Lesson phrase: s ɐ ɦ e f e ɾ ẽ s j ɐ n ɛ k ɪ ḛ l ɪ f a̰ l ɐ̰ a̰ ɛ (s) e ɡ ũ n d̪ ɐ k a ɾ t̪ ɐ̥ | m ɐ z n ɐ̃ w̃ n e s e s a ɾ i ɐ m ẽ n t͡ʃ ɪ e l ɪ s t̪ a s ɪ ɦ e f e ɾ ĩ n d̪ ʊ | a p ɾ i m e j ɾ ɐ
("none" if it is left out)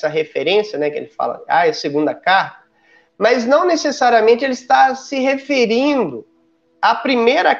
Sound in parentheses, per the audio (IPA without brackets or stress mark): s